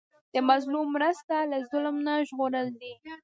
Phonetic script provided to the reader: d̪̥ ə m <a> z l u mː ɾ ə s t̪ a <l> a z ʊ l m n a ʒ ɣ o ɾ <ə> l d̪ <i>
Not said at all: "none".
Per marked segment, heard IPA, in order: a, l, ə, i

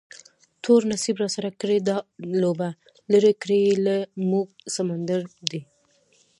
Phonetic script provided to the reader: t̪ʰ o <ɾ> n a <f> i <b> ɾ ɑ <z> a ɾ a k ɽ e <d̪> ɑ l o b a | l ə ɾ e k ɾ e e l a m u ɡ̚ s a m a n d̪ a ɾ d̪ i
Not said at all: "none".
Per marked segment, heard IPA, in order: ɾ, s, b, s, d̪

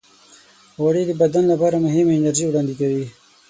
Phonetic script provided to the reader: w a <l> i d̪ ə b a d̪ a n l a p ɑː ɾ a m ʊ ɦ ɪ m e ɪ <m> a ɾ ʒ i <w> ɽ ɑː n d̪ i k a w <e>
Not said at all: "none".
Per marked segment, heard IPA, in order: ɽ, n, w, i

